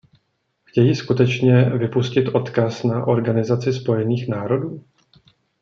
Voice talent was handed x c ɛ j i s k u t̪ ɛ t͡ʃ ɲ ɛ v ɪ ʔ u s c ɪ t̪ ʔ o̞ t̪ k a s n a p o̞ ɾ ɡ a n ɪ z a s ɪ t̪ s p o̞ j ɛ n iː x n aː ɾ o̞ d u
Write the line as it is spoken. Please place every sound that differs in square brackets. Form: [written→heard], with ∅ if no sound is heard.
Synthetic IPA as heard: x c ɛ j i s k u t̪ ɛ t͡ʃ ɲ ɛ v ɪ [ʔ→p] u s c ɪ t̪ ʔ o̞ t̪ k a s n a [p→ʔ] o̞ ɾ ɡ a n ɪ z a [s→t͡s] ɪ [t̪→∅] s p o̞ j ɛ n iː x n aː ɾ o̞ d [u→uː]